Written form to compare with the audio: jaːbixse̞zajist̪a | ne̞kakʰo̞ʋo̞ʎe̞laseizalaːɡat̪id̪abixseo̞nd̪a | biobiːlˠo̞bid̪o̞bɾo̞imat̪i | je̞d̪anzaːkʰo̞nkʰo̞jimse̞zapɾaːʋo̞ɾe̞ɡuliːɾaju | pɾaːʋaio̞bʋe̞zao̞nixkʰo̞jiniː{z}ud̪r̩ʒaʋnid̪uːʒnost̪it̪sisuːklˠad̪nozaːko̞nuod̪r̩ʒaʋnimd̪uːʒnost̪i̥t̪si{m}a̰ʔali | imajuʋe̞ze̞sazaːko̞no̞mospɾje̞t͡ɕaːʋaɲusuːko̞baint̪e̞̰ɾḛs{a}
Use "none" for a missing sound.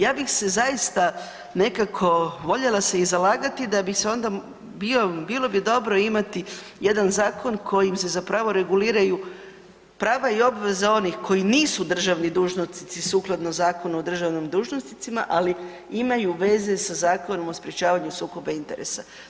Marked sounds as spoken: s, m, a

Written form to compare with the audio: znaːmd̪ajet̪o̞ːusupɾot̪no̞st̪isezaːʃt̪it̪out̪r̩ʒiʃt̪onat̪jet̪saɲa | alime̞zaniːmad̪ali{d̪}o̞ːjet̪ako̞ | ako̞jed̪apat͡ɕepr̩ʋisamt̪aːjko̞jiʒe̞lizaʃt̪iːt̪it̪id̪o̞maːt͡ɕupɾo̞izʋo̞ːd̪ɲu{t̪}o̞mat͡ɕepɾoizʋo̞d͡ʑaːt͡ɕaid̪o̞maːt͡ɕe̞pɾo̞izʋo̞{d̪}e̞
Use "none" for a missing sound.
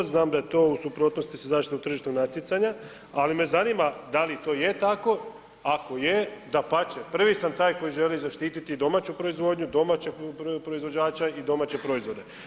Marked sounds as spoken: t̪, d̪, d̪

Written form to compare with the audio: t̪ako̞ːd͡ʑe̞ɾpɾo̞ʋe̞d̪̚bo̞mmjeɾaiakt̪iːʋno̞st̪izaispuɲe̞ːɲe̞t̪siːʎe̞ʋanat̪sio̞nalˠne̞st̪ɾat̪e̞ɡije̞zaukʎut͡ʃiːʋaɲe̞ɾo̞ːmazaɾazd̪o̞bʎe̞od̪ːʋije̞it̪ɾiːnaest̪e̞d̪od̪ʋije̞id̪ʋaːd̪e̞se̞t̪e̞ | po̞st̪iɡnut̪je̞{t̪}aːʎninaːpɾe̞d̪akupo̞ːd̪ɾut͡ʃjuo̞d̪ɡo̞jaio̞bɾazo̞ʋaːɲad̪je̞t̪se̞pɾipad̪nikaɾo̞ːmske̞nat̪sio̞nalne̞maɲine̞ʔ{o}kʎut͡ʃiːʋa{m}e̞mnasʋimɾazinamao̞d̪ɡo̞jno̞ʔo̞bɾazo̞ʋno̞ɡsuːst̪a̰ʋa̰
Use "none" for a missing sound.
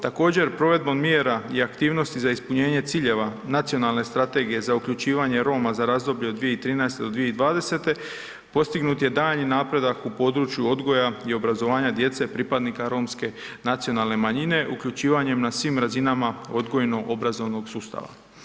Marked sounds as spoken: d̪, u, ɲ

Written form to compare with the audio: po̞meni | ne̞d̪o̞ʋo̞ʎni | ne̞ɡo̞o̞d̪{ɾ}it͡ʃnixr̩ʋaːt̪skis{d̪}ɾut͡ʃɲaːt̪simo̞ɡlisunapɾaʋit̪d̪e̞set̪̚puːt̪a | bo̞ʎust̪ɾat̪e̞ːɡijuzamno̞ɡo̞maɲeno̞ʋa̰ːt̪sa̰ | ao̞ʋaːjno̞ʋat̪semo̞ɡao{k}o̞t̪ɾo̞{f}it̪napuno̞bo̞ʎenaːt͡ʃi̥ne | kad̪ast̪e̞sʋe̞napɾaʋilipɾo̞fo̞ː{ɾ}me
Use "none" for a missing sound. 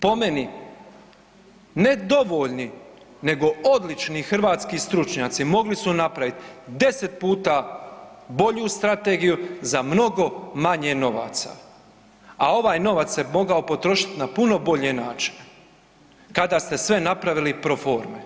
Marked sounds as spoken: l, t̪, p, ʃ, ɾ

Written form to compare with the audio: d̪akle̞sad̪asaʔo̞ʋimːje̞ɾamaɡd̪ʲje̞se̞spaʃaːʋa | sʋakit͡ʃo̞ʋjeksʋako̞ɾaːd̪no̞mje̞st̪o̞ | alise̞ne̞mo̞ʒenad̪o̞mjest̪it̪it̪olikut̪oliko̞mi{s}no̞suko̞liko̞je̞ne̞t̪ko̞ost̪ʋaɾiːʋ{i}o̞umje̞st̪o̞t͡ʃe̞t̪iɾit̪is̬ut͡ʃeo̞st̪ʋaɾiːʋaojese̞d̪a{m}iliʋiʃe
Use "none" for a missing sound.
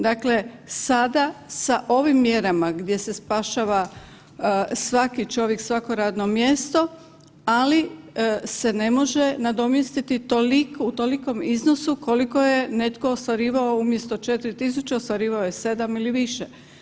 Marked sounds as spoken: z, a, m

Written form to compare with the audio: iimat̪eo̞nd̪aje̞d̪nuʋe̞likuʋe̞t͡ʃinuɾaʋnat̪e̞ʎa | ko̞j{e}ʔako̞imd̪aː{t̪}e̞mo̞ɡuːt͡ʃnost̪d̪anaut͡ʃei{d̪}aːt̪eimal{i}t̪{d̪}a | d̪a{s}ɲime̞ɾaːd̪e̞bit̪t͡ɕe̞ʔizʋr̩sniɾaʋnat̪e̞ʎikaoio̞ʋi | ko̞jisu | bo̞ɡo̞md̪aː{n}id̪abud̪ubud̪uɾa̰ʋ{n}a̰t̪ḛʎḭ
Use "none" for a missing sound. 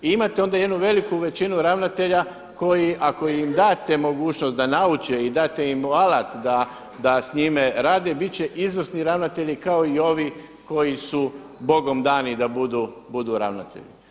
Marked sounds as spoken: i, t̪, d̪, a, d̪, s, n, n

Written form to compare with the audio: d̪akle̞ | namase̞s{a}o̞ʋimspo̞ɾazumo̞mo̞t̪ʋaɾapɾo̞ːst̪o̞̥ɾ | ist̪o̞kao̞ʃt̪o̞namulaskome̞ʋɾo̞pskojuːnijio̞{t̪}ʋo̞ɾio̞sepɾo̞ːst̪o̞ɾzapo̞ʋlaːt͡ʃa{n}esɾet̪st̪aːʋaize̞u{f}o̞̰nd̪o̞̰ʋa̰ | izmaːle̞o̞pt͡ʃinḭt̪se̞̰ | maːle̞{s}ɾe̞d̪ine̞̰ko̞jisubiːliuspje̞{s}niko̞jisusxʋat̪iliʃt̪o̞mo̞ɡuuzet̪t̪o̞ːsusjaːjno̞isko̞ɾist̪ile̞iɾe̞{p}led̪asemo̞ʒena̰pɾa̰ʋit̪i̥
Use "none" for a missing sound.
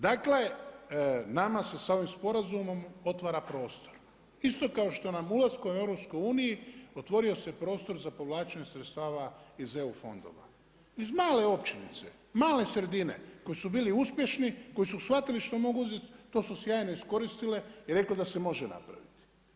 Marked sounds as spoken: a, t̪, ɲ, f, s, ʃ, k

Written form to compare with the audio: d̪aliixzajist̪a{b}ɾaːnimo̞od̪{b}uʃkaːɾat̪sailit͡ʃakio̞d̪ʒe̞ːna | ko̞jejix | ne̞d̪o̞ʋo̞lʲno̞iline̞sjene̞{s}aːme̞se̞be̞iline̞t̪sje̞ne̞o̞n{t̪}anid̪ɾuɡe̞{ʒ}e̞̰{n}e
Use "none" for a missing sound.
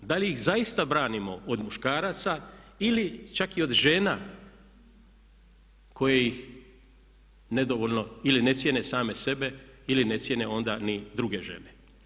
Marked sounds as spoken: b, m, s, d̪, ʒ, n

